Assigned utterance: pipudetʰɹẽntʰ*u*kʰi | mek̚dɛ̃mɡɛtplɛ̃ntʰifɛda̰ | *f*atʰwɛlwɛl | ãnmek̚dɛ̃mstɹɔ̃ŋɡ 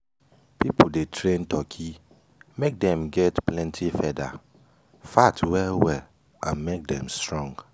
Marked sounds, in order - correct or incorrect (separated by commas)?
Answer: incorrect, correct